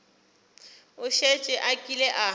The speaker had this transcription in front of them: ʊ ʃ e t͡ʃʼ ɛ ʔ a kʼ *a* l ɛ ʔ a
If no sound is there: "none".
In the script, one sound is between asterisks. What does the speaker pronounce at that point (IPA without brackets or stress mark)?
i